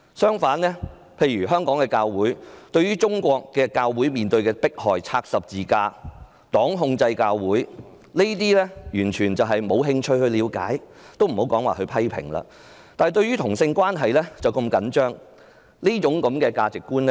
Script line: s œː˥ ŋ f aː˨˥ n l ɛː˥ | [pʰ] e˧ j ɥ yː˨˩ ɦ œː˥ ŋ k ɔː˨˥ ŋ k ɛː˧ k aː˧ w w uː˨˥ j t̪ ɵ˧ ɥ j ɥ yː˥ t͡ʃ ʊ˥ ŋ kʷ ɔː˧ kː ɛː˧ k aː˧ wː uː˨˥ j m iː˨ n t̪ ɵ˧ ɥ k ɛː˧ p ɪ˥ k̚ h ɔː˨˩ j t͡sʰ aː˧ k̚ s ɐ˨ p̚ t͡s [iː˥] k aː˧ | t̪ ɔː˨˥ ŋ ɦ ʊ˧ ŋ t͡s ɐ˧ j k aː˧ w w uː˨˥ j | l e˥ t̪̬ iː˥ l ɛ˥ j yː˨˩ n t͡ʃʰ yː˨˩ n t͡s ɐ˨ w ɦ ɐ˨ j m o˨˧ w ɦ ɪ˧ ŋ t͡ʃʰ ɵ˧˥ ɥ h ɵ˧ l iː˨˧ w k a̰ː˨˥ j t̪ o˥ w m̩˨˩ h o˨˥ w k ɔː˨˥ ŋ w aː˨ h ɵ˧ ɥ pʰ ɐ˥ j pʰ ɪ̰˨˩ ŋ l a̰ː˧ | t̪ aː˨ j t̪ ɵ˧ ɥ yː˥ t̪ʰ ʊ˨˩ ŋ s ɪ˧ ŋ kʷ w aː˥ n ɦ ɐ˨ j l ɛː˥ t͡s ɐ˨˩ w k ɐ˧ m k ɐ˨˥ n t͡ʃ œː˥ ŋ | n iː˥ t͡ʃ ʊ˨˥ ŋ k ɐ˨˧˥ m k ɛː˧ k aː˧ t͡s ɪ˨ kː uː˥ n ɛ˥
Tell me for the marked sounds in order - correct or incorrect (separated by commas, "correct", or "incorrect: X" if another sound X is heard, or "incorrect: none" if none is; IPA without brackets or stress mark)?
correct, incorrect: iː˨